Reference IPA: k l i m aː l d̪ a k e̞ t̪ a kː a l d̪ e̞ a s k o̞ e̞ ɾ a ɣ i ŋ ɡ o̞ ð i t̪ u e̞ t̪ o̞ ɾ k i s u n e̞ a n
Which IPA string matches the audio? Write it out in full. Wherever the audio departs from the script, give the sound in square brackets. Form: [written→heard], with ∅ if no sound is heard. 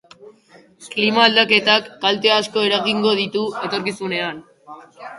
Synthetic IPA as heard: k l i m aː l d̪ a k e̞ t̪ a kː a l [d̪→t̪] e̞ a s k o̞ e̞ ɾ a ɣ i ŋ ɡ o̞ ð i t̪ u e̞ t̪ o̞ ɾ k i s u n e̞ a n